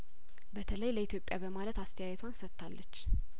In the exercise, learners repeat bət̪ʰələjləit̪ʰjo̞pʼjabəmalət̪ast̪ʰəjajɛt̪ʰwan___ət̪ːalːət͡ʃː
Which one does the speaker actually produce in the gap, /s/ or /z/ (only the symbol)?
s